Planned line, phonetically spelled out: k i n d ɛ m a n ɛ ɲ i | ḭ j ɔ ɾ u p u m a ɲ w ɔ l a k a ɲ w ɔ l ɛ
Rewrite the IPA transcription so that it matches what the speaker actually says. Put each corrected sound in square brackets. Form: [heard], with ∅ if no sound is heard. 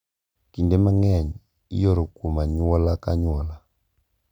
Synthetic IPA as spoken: k i n d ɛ m a [ŋ] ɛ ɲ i | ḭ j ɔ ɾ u [k] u m a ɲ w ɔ l a k a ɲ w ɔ l [a]

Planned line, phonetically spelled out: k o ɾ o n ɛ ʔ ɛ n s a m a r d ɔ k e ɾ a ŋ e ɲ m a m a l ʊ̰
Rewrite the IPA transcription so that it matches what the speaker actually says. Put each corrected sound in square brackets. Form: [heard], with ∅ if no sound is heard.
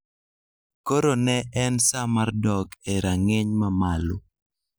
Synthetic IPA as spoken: k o ɾ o n ɛ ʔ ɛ n s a m a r d ɔ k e ɾ a ŋ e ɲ m a m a l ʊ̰

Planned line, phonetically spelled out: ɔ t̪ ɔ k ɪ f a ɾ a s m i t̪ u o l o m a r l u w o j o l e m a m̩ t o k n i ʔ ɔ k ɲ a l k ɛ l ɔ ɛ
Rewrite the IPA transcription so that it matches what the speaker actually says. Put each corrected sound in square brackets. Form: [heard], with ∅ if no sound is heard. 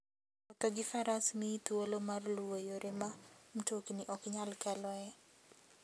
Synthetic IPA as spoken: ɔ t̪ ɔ [ɡ] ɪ f a ɾ a s m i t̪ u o l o m a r l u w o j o [ɾ] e m a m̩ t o k n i ʔ ɔ k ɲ a l k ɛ l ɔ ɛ

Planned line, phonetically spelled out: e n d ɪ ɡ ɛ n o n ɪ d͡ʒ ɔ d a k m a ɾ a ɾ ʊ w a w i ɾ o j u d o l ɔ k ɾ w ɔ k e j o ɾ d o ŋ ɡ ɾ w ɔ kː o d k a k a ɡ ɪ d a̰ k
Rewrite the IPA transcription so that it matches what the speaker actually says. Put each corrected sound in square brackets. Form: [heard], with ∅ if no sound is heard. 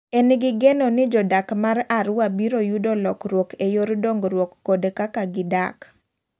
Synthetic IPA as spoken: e n [ɡ] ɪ ɡ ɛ n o n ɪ d͡ʒ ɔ d a k m a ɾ a ɾ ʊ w a [b] i ɾ o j u d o l ɔ k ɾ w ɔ k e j o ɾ d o ŋ ɡ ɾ w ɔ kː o d k a k a ɡ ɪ d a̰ k

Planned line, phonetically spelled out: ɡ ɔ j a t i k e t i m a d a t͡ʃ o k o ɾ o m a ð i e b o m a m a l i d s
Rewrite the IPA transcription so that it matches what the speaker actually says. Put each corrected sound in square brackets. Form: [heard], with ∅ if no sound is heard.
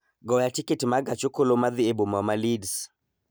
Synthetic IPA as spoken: ɡ ɔ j a t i k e t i m a [ɡ] a t͡ʃ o k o [l] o m a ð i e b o m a m a l i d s

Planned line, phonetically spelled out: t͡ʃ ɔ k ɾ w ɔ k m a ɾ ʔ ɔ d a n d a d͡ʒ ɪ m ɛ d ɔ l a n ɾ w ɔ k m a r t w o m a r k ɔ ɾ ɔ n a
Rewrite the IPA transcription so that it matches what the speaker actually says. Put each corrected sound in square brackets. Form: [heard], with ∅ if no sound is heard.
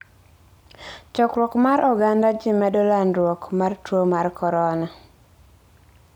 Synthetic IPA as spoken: t͡ʃ ɔ k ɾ w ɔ k m a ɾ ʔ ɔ [ɡ] a n d a d͡ʒ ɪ m ɛ d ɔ l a n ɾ w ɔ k m a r t w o m a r k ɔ ɾ ɔ n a

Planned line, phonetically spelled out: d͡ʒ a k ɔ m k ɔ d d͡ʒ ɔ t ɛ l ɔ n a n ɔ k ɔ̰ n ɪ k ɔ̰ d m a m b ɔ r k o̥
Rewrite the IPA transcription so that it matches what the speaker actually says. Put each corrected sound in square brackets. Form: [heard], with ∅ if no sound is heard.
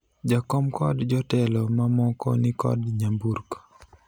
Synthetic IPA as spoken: d͡ʒ a k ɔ m k ɔ d d͡ʒ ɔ t ɛ l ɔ [m] a [m] ɔ k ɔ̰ n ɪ k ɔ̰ d [ɲ] a m b [u] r k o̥

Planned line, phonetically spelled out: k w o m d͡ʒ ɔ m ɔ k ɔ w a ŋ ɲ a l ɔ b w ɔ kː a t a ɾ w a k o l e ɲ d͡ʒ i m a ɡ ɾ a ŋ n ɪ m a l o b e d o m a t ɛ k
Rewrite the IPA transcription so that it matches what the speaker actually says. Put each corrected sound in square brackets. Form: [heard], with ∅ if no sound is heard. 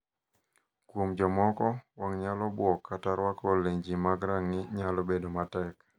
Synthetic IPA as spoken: k w o m d͡ʒ ɔ m ɔ k ɔ w a ŋ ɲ a l ɔ b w ɔ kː a t a ɾ w a k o l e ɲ d͡ʒ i m a ɡ ɾ a ŋ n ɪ [ɲ] a l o b e d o m a t ɛ k

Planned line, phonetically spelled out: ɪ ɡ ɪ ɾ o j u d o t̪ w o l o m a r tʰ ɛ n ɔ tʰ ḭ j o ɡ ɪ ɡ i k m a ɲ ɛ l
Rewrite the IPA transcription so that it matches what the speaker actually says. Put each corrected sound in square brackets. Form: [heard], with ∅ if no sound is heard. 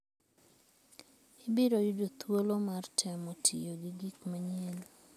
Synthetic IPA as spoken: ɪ [b] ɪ ɾ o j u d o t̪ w o l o m a r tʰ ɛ [m] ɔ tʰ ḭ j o ɡ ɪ ɡ i k m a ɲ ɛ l

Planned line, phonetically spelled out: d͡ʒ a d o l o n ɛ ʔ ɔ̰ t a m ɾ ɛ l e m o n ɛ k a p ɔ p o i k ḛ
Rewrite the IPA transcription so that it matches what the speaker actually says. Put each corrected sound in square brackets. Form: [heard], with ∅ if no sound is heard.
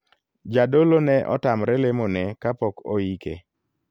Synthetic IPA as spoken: d͡ʒ a d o l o n ɛ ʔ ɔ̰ t a m ɾ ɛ l e m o n ɛ k a p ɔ [k] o i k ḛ

